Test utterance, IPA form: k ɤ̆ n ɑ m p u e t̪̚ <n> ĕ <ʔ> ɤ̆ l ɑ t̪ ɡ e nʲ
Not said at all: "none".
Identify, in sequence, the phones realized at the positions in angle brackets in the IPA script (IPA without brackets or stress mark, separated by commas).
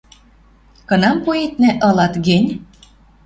n, ʔ